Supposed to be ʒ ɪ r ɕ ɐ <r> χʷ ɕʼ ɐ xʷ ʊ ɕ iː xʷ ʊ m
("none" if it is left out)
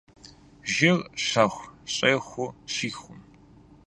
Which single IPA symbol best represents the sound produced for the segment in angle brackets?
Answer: none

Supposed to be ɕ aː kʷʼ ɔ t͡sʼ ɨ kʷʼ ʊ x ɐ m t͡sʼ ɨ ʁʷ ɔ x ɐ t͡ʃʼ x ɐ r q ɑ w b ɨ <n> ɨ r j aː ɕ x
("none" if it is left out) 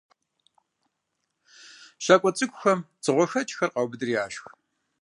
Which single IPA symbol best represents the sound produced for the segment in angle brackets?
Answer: d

